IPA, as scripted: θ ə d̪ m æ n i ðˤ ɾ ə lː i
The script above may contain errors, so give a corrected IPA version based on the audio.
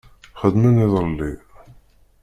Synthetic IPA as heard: χ ə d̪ m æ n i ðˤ ɾ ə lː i

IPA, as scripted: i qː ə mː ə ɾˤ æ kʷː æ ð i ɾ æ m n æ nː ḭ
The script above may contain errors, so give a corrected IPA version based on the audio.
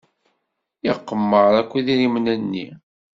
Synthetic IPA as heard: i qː ə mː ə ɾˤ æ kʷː i ð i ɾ i m n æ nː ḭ

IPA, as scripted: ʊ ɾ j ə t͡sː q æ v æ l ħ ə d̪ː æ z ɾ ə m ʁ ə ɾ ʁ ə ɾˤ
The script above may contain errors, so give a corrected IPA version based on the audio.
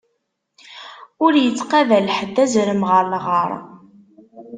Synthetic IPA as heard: ʊ ɾ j ə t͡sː q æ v æ l ħ ə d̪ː æ z ɾ ə m ʁ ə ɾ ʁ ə ɾˤ

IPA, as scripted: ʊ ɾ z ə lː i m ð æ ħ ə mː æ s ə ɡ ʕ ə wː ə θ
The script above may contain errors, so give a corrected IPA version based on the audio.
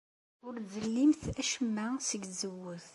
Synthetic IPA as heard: ʊ ɾ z ə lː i m θ æ ʃ ə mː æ s ə ɡ z ə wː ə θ

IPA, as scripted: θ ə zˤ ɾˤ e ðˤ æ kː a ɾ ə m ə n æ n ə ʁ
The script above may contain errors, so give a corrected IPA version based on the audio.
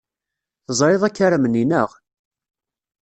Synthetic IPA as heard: θ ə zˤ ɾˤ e ðˤ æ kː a ɾ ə m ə n i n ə ʁ

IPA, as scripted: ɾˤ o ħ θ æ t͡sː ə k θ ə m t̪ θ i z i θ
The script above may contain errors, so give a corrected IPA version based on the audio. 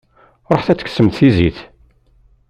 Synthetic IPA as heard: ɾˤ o ħ θ æ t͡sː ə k s ə m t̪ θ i z i θ

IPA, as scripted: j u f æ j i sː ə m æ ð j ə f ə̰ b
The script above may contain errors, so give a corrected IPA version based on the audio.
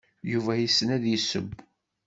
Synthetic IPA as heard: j u v æ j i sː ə n æ ð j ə s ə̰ b

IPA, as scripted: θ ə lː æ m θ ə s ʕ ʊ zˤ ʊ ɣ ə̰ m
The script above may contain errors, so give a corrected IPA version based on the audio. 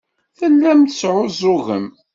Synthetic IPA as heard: θ ə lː æ m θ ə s ʕ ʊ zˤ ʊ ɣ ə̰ m

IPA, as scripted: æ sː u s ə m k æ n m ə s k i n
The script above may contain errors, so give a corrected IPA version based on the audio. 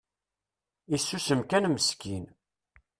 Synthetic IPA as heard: i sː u s ə m k æ n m ə s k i n

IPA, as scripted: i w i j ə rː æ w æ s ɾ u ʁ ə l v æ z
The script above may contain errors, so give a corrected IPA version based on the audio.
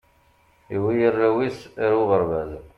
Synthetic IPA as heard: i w i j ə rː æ w i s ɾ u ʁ ə ɾ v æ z

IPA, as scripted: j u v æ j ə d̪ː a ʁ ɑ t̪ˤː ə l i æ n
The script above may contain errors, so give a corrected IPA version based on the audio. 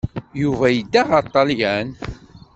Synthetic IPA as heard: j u v æ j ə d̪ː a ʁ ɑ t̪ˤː ɑ l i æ n

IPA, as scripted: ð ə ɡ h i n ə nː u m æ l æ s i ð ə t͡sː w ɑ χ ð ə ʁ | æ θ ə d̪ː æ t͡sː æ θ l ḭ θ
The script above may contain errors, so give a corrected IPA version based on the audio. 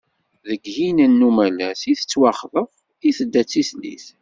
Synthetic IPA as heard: ð ə ɡ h i n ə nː u m æ l æ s i θ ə t͡sː w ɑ χ ð ə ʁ | i θ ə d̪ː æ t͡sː i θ l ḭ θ

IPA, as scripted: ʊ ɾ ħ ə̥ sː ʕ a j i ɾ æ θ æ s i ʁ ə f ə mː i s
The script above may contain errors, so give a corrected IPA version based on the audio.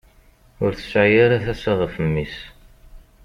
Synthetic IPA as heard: ʊ ɾ θ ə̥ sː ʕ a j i ɾ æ θ æ s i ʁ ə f ə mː i s

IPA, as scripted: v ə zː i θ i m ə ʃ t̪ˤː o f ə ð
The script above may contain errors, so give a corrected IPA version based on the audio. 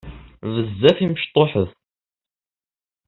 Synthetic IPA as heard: v ə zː æ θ i m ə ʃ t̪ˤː o ħ ə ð

